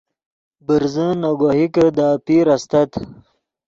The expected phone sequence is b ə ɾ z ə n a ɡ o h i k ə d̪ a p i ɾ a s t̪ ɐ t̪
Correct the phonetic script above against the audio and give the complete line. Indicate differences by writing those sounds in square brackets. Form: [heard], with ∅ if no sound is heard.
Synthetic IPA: b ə ɾ z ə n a ɡ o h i k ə d̪ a p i ɾ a s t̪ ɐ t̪